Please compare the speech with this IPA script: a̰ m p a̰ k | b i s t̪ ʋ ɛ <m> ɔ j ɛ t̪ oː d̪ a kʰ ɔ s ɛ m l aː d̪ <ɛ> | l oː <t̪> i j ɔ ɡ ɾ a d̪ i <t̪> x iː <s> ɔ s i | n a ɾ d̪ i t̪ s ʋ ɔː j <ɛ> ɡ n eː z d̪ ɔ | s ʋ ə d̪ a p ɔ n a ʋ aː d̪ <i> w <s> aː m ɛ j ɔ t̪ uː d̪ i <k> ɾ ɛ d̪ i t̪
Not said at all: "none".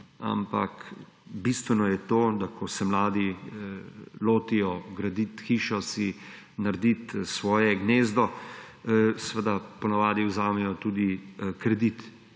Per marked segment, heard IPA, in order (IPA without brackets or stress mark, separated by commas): n, i, t̪, t̪, ʃ, ɛ, i, z, k